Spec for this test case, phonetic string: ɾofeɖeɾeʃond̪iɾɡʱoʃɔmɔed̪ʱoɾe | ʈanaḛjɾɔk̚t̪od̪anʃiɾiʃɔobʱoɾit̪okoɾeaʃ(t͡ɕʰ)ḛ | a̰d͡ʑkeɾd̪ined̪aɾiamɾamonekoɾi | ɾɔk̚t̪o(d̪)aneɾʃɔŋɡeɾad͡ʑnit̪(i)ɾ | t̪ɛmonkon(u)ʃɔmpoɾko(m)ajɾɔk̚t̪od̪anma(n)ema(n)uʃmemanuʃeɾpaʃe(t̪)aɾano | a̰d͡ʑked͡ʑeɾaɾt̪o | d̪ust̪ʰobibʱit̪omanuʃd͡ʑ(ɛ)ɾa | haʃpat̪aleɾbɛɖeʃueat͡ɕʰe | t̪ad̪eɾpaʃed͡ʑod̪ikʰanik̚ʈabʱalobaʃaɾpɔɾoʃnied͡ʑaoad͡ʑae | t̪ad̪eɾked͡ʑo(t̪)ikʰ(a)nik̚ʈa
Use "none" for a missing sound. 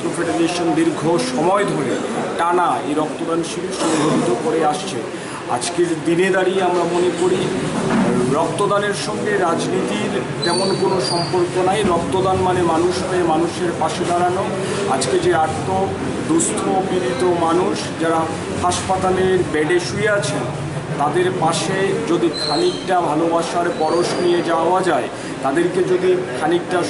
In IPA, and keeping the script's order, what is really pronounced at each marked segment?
t͡ɕʰ, d̪, i, o, n, n, n, d̪, a, d̪, a

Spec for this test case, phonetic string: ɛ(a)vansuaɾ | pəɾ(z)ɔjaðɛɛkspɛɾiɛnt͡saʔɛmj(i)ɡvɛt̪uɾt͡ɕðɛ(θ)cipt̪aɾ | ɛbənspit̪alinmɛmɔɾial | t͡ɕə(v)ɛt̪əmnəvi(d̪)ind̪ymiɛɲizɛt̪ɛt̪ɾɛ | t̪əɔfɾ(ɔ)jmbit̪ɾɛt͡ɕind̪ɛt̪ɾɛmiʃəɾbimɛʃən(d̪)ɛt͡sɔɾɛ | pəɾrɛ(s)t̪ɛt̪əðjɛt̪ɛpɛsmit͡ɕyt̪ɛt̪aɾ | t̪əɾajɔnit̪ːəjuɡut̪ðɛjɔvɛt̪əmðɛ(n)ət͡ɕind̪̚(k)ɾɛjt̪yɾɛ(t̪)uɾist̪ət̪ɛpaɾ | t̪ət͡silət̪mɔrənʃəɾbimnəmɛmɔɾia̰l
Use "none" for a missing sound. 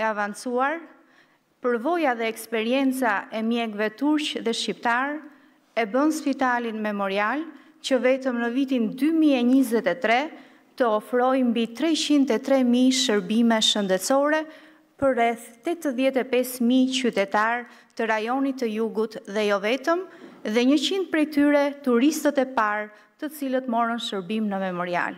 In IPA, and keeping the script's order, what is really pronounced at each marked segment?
a, v, ɛ, ʃ, v, t̪, ɔ, d̪, θ, ɲ, p, t̪

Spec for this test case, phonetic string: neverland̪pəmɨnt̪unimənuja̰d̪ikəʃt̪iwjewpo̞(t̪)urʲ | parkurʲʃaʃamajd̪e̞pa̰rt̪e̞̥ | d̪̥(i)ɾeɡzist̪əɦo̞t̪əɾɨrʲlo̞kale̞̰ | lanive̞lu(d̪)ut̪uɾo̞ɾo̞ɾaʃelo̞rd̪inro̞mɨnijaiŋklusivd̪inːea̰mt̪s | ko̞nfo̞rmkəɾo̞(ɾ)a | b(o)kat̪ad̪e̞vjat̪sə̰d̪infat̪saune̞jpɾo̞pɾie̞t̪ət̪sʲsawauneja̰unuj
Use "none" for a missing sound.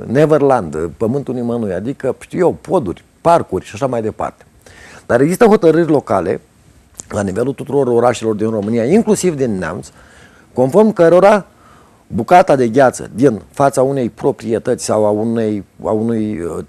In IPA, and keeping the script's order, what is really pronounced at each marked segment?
d̪, a, t̪, ɾ, u

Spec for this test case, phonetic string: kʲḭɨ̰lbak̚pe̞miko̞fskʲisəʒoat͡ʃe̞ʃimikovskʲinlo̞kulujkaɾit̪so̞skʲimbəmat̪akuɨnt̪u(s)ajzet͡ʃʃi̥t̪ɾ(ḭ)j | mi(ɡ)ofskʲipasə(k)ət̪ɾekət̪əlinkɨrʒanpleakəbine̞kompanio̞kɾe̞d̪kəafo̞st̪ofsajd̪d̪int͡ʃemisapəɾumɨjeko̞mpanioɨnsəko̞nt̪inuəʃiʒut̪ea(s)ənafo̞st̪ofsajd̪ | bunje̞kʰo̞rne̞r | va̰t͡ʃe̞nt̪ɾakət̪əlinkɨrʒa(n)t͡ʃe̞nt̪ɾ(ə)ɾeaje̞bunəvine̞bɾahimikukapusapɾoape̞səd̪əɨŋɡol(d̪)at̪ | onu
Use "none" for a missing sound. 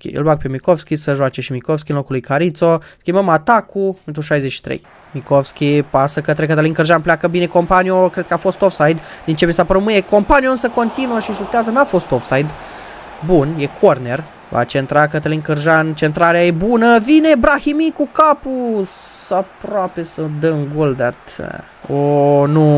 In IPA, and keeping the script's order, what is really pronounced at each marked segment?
ʃ, ḛ, k, k, z, n, a, d̪

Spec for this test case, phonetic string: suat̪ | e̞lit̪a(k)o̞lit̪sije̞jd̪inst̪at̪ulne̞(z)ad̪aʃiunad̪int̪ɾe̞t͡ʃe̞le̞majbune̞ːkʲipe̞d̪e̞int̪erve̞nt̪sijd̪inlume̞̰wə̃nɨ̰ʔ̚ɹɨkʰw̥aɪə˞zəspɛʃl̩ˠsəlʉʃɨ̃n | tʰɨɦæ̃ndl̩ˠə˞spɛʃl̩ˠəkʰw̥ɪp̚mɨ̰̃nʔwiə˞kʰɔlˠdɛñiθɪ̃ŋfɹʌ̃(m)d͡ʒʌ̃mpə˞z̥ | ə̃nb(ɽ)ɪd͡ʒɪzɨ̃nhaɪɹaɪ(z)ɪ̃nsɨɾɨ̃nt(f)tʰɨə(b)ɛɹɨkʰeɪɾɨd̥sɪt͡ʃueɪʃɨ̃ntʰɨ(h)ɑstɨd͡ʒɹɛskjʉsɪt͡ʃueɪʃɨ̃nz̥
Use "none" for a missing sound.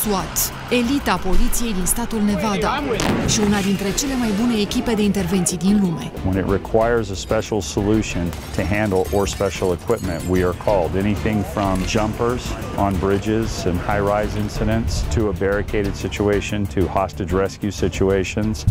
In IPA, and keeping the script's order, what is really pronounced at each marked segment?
p, v, m, ɹ, z, s, b, h

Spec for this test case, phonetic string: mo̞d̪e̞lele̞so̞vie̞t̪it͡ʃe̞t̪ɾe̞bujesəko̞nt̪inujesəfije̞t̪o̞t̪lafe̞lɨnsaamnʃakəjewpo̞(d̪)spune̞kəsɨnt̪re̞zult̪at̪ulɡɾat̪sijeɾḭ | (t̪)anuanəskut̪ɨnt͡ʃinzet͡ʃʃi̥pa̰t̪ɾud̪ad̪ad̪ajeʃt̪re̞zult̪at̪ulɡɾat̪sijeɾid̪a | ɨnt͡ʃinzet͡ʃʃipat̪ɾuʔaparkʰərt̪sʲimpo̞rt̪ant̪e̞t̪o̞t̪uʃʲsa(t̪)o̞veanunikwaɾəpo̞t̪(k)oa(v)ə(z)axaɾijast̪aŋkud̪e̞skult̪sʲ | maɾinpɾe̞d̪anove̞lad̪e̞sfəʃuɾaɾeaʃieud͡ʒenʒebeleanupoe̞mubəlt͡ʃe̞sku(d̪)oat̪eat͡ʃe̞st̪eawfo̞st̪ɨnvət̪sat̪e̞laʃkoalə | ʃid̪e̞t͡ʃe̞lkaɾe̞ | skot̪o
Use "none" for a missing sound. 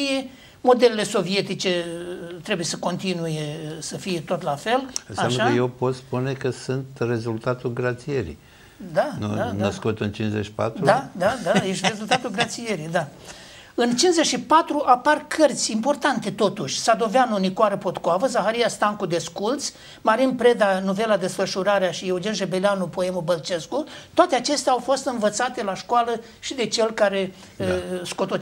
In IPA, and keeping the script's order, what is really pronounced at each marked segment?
t̪, d̪, d̪, k, v, z, t̪

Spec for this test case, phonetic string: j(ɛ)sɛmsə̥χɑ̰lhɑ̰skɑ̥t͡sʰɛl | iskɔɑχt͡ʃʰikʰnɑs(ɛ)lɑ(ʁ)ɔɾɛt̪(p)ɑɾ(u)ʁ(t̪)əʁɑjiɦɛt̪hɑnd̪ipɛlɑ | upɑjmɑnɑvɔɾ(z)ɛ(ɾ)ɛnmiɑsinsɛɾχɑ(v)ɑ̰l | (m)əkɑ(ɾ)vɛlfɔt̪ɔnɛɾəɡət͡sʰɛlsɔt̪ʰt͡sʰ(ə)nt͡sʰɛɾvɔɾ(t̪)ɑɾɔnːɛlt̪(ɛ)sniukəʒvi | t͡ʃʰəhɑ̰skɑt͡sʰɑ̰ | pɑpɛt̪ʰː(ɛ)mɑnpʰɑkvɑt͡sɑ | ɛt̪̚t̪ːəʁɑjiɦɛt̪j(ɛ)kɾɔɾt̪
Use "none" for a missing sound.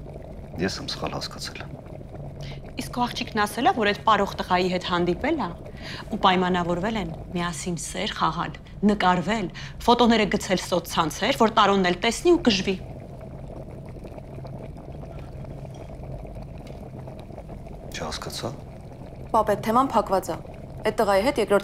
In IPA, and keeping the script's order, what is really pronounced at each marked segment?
ɛ, ɛ, v, p, ɔ, t̪, v, l, ʁ, n, ɾ, ɑ, t̪, ɛ, ɛ, ɛ

